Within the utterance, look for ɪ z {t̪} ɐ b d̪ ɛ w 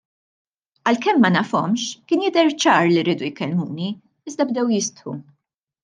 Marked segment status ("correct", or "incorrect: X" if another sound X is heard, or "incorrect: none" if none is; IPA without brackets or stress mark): incorrect: d̪